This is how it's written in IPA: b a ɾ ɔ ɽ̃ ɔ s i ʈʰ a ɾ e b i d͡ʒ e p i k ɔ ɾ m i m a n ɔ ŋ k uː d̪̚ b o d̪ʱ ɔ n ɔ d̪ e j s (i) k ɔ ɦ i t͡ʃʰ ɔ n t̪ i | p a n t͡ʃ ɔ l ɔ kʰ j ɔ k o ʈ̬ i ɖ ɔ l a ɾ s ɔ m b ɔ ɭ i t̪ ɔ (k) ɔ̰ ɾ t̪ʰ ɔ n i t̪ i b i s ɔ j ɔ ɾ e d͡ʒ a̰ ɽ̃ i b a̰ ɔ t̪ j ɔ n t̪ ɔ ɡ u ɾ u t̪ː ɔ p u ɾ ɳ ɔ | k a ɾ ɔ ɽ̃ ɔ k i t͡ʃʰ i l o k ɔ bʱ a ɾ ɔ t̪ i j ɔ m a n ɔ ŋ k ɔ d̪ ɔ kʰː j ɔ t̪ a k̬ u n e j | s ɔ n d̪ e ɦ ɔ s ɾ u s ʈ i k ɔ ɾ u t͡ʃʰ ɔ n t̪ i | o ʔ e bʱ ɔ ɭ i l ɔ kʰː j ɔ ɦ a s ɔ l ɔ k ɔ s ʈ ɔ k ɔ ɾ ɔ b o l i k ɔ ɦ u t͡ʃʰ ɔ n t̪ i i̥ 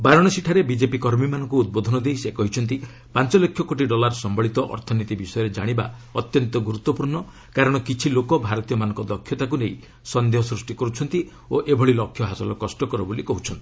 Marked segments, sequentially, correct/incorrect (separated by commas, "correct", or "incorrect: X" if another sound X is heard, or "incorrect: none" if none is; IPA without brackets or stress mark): incorrect: e, incorrect: ʔ